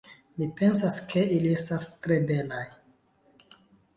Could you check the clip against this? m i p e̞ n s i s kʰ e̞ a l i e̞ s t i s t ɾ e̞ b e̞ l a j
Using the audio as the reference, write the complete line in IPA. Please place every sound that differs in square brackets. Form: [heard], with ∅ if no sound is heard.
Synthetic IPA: m i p e̞ n s [a] s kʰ e̞ [i] l i e̞ s t [a] s t ɾ e̞ b e̞ l a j